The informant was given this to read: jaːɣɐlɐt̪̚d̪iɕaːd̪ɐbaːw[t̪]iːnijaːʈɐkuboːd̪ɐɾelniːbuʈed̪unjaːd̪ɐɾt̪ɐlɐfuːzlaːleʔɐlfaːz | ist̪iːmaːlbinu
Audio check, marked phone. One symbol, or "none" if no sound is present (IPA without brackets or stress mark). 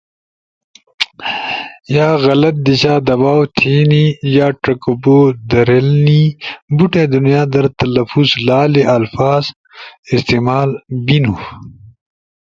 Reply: t̪ʰ